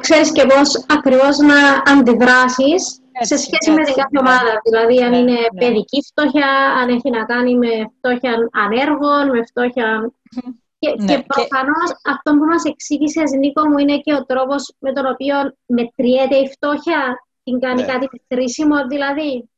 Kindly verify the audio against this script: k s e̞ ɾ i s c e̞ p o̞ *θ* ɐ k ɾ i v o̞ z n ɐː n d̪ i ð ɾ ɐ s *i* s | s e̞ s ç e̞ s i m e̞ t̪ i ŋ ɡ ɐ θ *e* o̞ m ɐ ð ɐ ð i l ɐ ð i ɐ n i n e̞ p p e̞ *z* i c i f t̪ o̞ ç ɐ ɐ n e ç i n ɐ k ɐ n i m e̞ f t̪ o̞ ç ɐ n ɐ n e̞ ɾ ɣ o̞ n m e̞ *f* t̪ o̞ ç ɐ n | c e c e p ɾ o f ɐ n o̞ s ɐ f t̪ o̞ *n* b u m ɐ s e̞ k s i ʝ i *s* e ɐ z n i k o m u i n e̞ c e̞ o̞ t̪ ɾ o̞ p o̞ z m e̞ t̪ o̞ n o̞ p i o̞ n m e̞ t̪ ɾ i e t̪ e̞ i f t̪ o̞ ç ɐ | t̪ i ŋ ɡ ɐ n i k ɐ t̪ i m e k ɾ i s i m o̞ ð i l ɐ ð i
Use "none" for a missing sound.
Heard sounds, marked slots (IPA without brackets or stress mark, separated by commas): s, i, e, ð, f, m, s